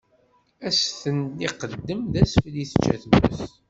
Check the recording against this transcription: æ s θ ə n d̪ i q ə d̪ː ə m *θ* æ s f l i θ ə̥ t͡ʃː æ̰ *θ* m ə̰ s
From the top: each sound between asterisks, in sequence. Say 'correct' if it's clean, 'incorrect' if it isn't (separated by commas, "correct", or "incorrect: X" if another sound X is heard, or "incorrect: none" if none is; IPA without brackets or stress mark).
incorrect: ð, correct